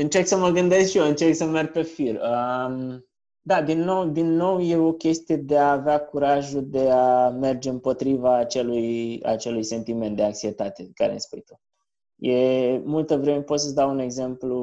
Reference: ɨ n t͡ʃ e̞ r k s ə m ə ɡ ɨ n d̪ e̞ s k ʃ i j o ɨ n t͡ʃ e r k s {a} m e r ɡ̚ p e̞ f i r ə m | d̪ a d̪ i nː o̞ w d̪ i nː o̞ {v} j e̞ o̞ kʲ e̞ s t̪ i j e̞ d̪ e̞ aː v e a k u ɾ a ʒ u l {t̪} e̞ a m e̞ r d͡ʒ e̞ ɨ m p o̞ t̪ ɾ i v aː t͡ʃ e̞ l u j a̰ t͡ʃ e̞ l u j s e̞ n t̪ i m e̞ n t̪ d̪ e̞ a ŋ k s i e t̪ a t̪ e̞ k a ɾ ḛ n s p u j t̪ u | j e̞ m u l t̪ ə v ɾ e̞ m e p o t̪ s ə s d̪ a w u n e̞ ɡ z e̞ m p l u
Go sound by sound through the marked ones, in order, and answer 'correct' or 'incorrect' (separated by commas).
incorrect, incorrect, incorrect